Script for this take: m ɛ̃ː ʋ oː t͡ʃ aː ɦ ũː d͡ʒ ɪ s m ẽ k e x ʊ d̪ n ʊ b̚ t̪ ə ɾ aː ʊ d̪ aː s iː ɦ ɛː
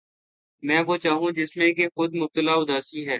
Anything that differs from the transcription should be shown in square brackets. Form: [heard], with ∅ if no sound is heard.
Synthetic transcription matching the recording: m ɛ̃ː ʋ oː t͡ʃ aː ɦ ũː d͡ʒ ɪ s m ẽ k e x ʊ d̪ [m] ʊ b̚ t̪ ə [l] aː ʊ d̪ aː s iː ɦ ɛː